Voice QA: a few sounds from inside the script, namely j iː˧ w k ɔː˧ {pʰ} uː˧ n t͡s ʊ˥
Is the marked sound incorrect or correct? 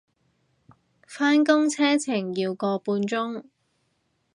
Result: incorrect: p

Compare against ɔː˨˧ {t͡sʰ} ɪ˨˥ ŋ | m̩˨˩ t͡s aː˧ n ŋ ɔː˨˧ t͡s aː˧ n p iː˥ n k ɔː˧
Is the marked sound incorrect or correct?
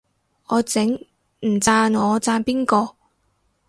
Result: incorrect: t͡s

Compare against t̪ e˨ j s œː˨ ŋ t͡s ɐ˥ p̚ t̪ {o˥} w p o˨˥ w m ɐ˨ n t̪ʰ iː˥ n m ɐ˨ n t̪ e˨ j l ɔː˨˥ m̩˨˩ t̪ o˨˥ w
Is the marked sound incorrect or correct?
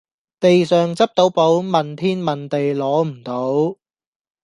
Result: incorrect: o˨˥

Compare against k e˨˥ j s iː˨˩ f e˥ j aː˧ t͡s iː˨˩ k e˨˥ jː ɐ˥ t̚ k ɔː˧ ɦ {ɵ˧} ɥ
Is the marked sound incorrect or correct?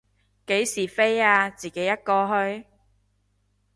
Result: correct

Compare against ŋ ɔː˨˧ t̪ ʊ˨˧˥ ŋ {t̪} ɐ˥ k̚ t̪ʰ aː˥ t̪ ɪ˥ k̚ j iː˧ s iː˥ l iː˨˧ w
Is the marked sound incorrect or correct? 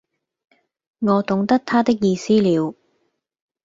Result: correct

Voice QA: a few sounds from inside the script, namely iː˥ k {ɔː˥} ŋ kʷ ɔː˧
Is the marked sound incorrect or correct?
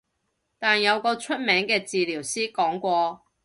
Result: incorrect: ɔː˨˥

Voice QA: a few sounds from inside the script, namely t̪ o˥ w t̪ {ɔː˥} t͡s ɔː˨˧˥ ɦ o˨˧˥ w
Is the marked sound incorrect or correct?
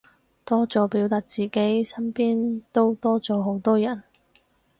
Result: correct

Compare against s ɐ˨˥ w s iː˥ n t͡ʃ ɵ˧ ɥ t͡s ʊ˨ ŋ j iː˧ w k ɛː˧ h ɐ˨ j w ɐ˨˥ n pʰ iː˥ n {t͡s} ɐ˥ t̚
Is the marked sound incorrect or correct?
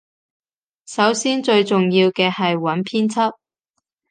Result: incorrect: t͡sʰ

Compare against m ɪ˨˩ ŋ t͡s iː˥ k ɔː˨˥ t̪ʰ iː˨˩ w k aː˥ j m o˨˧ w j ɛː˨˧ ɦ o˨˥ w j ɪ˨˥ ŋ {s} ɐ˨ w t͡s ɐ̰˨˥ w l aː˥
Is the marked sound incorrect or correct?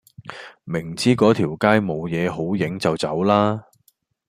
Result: incorrect: t͡s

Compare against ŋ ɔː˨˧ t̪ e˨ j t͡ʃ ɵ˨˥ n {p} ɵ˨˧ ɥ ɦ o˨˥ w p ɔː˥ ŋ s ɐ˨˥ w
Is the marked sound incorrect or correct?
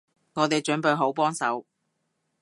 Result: correct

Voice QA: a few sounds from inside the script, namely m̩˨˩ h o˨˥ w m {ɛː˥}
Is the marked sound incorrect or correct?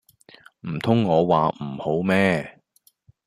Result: correct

